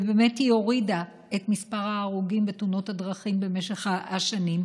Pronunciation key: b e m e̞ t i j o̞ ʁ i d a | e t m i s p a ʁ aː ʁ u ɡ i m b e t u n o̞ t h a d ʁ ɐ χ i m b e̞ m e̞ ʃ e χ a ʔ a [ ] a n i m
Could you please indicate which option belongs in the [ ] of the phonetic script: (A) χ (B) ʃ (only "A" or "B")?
B